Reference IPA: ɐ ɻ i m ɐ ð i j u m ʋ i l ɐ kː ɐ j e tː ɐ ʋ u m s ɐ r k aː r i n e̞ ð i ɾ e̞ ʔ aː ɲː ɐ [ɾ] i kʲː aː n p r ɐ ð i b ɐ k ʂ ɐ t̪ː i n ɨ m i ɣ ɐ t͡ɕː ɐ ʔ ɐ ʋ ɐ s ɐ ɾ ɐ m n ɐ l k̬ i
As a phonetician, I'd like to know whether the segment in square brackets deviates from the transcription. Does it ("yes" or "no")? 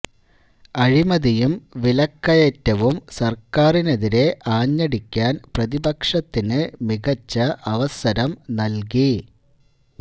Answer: yes